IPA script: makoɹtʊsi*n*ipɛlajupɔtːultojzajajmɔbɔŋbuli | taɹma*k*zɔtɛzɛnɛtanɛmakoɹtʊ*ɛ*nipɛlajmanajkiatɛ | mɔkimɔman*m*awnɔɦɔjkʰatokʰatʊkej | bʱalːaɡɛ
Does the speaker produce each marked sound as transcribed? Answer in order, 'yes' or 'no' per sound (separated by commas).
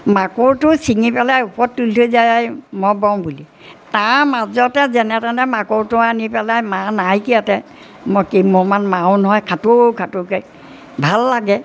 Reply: no, no, no, yes